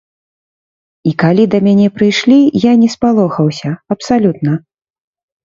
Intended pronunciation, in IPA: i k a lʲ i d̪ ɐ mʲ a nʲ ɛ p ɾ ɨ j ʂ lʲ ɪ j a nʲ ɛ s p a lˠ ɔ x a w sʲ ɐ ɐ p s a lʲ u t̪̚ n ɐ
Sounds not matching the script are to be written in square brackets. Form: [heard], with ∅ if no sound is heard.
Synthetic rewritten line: i k a lʲ i d̪ ɐ mʲ a nʲ ɛ p ɾ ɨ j ʂ lʲ [i] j a nʲ ɛ s p a lˠ ɔ x [ɐ] w sʲ ɐ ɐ p s a lʲ u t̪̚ n ɐ